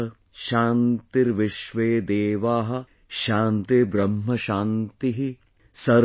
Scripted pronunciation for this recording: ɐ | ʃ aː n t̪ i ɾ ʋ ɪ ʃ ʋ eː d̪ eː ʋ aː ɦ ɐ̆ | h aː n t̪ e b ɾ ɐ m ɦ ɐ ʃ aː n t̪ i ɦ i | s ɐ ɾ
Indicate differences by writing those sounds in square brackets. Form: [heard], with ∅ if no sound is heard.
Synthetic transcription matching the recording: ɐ | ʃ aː n t̪ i ɾ ʋ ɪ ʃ ʋ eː d̪ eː ʋ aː ɦ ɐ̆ | [ʃ] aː n t̪ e b ɾ ɐ m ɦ ɐ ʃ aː n t̪ i ɦ i | s ɐ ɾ